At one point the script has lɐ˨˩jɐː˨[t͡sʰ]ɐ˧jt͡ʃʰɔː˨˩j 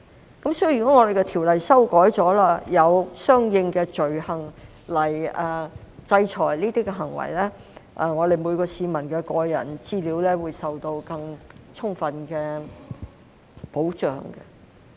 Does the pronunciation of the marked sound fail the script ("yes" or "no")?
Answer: yes